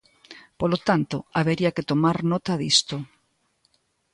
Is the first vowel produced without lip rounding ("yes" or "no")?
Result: no